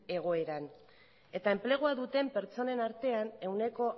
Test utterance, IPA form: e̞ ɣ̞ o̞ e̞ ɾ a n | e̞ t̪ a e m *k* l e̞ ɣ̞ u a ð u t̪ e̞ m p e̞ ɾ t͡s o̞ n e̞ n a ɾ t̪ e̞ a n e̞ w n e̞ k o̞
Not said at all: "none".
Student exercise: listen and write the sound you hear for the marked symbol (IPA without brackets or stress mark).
p